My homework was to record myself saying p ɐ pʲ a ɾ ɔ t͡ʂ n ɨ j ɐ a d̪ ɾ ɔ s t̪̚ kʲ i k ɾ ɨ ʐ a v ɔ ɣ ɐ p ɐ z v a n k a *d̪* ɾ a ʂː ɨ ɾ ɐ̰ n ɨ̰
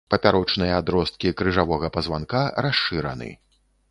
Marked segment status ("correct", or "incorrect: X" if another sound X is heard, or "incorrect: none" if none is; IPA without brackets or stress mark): incorrect: none